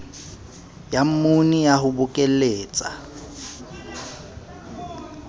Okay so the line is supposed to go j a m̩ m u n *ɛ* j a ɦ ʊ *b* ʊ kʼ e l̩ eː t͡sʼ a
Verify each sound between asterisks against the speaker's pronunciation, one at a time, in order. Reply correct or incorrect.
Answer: incorrect: i, correct

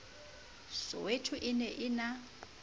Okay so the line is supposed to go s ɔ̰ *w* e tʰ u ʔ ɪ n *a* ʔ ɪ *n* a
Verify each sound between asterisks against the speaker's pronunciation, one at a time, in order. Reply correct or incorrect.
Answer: correct, incorrect: ɛ, correct

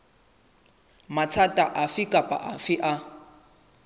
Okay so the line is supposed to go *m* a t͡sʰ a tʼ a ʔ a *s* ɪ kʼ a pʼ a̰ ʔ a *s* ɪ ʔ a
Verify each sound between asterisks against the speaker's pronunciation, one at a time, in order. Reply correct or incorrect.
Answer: correct, incorrect: f, incorrect: f

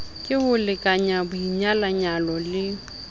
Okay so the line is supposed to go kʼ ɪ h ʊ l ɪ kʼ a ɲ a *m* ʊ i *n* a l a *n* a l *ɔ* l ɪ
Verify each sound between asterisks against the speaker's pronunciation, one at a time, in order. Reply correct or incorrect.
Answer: incorrect: b, incorrect: ɲ, incorrect: ɲ, correct

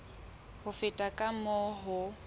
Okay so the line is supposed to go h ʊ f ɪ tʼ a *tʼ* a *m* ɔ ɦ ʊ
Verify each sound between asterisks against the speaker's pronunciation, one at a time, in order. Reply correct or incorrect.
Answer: incorrect: kʼ, correct

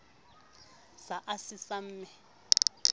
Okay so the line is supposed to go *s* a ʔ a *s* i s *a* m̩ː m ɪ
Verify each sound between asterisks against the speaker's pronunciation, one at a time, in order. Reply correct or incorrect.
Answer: correct, correct, correct

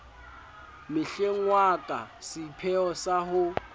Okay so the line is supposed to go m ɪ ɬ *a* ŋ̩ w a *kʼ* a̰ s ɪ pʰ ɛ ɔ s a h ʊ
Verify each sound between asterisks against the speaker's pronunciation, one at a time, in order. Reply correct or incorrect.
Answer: incorrect: e, correct

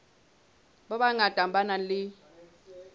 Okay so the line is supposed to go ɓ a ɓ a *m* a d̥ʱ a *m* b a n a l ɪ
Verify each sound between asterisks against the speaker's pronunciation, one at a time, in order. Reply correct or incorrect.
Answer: incorrect: ŋ, correct

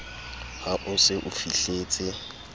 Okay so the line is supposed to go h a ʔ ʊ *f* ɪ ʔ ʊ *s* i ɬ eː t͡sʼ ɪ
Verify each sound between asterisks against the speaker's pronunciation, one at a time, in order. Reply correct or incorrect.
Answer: incorrect: s, incorrect: f

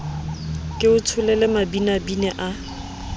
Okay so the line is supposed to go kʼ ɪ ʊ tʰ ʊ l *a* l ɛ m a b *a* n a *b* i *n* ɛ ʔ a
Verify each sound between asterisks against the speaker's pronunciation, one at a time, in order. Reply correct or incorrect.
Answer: incorrect: ɛ, incorrect: i, correct, correct

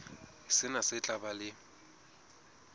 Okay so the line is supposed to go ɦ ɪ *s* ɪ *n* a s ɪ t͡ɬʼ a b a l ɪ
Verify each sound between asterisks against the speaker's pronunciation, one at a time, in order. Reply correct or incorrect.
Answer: correct, correct

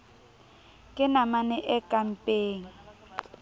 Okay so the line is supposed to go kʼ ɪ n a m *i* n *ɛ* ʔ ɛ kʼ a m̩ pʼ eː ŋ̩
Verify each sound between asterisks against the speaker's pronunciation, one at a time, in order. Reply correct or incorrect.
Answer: incorrect: a, correct

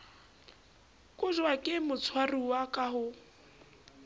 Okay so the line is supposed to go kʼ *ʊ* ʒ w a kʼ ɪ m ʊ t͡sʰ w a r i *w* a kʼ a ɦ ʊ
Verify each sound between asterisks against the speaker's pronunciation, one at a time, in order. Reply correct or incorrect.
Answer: correct, correct

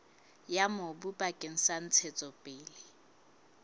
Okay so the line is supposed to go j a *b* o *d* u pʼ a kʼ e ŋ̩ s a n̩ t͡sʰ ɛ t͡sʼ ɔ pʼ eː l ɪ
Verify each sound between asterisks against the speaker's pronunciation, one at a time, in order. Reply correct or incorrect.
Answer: incorrect: m, incorrect: b

